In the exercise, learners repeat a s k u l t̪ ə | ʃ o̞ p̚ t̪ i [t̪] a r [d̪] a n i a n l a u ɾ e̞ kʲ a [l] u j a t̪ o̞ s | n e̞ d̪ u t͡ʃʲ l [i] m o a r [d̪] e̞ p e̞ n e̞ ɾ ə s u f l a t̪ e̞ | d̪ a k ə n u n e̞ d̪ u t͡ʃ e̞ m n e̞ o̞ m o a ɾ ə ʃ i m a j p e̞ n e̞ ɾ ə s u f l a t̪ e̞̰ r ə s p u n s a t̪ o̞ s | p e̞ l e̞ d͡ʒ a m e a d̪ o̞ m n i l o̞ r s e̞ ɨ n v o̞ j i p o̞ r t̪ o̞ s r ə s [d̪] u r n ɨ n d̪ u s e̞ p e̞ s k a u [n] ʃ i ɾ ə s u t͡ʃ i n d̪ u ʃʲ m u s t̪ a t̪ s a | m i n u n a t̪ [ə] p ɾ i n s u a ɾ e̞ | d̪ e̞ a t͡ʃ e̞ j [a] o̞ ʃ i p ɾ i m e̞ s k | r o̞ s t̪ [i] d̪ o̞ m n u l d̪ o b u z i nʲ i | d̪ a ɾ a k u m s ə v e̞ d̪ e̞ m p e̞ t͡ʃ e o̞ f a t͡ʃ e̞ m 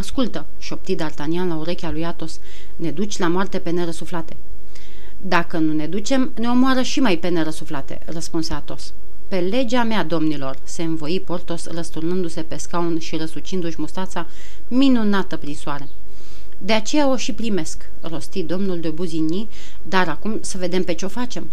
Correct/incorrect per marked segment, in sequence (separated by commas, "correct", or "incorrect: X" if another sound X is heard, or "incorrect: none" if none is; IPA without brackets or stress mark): incorrect: d̪, incorrect: t̪, correct, incorrect: a, incorrect: t̪, incorrect: t̪, correct, correct, correct, correct